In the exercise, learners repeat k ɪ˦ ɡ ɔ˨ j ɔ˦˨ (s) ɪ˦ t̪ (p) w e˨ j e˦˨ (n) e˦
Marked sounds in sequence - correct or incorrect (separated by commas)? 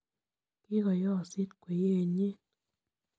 correct, incorrect, incorrect